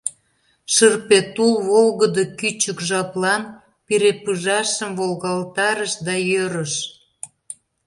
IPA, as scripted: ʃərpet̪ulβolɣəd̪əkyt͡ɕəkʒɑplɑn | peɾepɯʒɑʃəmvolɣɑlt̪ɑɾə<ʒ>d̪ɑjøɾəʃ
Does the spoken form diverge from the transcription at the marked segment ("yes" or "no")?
yes